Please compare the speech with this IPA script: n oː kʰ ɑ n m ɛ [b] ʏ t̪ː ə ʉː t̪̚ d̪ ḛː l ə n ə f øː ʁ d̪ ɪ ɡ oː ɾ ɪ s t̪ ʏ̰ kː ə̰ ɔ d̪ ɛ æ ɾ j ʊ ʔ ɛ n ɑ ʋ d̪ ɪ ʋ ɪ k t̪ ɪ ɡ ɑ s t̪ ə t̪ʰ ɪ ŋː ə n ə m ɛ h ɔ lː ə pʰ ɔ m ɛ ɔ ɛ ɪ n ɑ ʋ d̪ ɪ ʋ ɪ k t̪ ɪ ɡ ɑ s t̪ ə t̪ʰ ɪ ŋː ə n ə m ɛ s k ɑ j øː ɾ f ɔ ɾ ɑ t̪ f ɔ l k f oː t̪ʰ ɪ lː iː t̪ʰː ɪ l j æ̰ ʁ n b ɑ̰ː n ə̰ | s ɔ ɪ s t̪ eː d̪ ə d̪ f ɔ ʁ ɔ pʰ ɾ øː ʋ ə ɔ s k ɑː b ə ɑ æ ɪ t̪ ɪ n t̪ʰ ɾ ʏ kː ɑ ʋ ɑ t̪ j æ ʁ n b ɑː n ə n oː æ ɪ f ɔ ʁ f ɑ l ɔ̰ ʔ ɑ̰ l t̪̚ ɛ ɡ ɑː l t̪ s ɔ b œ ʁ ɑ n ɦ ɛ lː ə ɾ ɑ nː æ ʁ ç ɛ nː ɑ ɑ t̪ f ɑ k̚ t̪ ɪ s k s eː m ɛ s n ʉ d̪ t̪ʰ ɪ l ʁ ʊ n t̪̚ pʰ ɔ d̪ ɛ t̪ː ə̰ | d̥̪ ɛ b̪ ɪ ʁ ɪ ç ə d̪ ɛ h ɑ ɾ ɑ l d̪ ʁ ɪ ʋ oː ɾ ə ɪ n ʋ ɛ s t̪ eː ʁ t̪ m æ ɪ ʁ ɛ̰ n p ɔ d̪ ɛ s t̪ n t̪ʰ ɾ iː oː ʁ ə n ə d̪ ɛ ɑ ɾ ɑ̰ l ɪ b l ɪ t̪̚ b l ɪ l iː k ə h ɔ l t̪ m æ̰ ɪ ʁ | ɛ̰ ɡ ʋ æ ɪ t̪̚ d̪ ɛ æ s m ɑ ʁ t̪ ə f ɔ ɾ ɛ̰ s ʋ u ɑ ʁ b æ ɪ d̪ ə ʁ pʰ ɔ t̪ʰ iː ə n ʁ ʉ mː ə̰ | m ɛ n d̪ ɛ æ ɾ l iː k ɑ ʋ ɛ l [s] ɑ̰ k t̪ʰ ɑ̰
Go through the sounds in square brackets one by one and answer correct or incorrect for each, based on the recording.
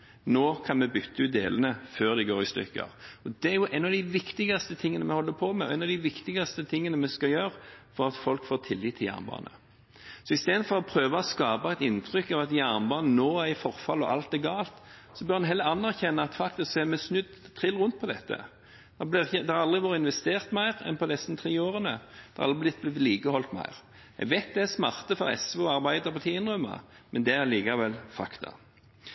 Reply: correct, incorrect: f

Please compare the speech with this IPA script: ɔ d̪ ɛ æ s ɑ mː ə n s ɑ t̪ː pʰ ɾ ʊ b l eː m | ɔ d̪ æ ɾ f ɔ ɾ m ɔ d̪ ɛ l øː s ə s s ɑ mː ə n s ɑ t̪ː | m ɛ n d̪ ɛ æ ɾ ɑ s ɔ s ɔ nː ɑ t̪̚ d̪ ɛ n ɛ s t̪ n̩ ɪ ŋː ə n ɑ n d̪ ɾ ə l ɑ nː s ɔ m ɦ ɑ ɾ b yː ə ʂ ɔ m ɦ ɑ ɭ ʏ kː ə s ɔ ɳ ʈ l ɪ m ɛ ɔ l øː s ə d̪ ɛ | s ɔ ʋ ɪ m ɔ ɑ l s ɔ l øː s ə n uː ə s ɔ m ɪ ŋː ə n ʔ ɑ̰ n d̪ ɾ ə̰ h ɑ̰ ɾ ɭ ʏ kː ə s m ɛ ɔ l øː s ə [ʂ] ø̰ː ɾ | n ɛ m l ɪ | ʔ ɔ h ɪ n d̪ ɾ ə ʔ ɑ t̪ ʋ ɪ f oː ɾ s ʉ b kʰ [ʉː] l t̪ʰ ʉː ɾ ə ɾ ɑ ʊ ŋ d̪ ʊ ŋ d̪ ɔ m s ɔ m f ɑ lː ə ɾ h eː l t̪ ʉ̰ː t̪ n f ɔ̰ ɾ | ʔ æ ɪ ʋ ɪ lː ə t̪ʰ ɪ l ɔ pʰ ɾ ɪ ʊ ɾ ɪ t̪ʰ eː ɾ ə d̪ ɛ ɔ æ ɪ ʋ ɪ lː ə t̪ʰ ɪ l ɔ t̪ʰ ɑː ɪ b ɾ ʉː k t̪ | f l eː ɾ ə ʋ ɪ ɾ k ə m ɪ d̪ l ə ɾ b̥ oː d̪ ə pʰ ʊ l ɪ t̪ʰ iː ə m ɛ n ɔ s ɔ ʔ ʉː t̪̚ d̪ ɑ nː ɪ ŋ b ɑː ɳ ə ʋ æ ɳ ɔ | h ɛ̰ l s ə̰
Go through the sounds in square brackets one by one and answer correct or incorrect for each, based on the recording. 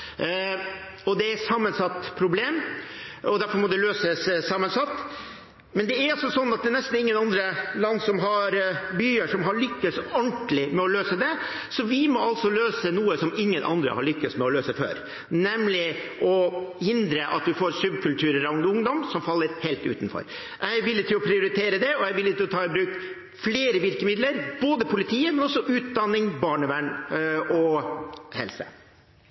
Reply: incorrect: f, incorrect: ʉ

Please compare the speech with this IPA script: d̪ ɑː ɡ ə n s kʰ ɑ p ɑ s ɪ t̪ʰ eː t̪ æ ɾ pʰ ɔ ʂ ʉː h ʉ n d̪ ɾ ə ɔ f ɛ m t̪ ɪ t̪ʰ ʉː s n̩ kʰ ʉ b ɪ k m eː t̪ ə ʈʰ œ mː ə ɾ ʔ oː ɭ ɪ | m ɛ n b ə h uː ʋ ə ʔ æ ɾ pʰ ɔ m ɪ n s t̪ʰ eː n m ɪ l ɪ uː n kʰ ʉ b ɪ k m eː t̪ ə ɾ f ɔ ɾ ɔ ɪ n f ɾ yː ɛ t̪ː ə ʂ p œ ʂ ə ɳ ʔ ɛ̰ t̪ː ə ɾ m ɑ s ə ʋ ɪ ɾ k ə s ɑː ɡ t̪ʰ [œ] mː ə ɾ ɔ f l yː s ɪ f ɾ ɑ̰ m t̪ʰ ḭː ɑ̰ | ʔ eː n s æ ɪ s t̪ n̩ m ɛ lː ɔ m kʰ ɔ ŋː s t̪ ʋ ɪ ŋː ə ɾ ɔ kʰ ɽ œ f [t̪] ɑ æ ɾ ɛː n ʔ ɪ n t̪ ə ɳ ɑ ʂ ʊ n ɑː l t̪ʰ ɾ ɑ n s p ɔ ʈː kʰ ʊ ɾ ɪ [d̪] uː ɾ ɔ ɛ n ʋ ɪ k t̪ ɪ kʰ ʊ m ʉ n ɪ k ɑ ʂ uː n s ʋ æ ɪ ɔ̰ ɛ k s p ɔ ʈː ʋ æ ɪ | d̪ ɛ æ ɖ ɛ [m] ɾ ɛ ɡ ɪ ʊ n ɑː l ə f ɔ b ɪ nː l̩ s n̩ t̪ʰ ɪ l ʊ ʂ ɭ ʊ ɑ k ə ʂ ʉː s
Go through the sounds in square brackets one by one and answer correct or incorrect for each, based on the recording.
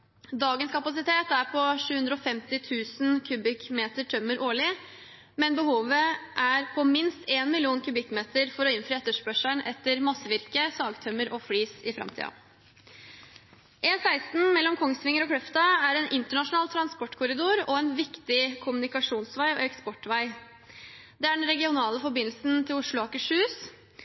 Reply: correct, correct, correct, incorrect: n

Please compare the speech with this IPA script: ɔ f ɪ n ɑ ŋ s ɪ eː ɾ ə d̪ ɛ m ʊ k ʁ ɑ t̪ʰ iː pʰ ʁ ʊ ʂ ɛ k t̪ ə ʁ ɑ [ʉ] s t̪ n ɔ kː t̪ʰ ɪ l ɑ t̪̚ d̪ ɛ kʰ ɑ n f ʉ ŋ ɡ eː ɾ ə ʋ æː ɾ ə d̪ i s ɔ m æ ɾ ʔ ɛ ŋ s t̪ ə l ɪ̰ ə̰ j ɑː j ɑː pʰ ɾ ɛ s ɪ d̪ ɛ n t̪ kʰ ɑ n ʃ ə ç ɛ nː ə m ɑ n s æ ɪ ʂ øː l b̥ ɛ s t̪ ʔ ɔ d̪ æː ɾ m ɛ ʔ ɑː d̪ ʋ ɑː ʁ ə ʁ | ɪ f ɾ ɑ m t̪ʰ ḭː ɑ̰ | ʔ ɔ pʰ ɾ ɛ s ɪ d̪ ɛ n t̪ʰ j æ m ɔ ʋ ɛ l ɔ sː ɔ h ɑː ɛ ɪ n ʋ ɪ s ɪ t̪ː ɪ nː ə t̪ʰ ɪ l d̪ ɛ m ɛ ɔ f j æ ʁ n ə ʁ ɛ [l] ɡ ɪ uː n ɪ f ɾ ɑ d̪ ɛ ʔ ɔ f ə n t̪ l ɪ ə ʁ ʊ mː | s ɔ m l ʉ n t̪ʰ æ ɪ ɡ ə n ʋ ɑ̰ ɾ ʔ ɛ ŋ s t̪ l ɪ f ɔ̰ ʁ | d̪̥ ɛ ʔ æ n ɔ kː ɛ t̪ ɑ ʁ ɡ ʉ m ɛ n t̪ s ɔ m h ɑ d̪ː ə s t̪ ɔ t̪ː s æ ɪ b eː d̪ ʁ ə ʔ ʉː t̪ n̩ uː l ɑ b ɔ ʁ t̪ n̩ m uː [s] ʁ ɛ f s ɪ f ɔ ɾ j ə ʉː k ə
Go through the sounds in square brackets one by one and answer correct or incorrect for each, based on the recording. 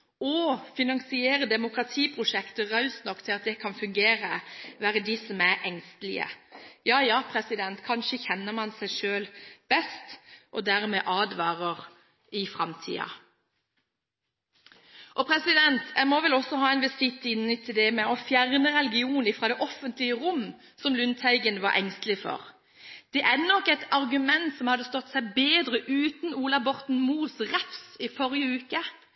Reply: correct, correct, correct

